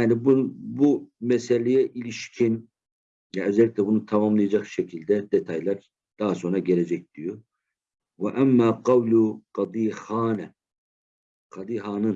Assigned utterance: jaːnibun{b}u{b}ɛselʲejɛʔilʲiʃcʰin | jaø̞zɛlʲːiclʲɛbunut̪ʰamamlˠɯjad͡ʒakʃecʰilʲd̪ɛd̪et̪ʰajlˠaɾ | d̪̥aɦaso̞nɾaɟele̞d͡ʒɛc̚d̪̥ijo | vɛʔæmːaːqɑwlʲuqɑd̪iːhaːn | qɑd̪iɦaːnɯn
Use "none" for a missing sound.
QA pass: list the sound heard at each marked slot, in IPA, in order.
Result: b, m

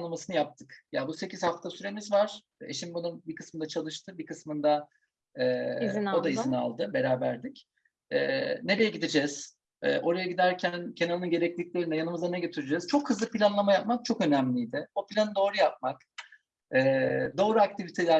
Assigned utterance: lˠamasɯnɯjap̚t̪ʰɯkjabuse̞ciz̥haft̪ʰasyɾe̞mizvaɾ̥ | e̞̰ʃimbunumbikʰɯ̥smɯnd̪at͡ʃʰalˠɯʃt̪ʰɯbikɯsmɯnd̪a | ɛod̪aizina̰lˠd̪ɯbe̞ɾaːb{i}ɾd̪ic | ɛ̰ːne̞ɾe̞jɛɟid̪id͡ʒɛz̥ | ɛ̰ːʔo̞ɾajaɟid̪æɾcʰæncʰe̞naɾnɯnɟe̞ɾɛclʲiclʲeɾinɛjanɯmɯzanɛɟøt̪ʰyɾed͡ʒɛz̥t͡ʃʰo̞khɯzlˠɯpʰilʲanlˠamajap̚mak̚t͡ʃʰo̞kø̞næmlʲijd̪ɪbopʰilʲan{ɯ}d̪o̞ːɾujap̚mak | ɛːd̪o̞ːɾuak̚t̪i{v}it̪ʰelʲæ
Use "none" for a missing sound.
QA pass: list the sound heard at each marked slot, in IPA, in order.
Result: æ, ɯ, v

